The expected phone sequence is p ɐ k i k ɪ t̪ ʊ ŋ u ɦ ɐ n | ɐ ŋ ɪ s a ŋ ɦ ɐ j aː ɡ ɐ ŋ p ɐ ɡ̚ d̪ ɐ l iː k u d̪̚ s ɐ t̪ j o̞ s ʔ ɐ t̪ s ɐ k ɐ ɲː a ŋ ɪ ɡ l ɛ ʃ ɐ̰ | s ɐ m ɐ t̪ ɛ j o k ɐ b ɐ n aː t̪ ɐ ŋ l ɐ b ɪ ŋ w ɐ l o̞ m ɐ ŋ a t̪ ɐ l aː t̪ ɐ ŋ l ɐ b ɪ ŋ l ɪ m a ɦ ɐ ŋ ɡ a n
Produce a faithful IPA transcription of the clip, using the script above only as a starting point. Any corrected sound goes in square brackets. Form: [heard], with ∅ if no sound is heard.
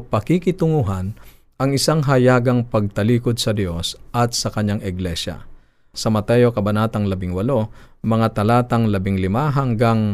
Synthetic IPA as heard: p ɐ k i k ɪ t̪ ʊ ŋ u ɦ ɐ n | ɐ ŋ ɪ s a ŋ ɦ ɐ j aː ɡ ɐ ŋ p ɐ ɡ̚ [t̪] ɐ l iː k [o] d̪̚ s ɐ [d̪] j o̞ s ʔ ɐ t̪ s ɐ k ɐ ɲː a ŋ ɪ ɡ l ɛ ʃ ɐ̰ | s ɐ m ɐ t̪ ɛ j o k ɐ b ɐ n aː t̪ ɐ ŋ l ɐ b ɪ ŋ w ɐ l o̞ m ɐ ŋ a t̪ ɐ l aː t̪ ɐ ŋ l ɐ b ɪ ŋ l ɪ m a ɦ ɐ ŋ ɡ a [ŋ]